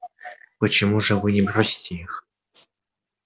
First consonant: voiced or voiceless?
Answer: voiceless